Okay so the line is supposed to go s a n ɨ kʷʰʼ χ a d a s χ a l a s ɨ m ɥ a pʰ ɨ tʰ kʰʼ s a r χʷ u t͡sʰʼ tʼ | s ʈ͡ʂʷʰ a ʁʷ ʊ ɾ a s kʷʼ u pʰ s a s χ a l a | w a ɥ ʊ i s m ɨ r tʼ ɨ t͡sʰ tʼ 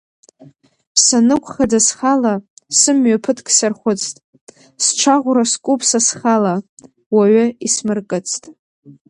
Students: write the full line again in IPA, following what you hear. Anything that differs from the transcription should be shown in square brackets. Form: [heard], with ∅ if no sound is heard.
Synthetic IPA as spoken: s a n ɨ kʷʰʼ χ a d a s χ a l a s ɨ m ɥ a pʰ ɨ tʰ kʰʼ s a r χʷ [ʊ] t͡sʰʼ tʼ | s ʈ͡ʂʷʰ a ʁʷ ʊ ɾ a s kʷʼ u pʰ s a s χ a l a | w a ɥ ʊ i s m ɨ r [kʼ] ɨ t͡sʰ tʼ